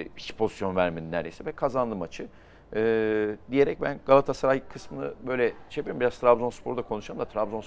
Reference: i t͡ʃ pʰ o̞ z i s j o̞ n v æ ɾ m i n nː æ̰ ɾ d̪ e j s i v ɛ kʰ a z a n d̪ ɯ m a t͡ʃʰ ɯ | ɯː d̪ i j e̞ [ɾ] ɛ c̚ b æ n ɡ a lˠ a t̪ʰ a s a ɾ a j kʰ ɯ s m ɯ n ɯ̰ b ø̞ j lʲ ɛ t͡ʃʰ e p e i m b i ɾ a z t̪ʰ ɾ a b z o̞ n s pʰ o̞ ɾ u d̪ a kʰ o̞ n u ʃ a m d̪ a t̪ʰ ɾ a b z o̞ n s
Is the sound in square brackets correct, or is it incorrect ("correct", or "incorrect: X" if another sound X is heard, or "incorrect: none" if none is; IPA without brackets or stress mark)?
correct